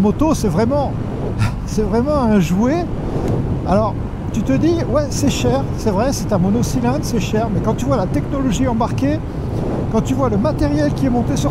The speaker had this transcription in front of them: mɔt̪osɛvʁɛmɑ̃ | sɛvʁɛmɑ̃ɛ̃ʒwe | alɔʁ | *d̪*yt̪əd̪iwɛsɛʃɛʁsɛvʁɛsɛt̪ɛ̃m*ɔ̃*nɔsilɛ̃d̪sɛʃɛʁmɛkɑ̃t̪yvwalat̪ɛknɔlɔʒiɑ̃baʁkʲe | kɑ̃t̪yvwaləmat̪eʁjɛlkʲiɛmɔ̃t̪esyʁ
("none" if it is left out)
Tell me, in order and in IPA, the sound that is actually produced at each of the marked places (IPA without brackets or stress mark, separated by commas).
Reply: t̪, ɔ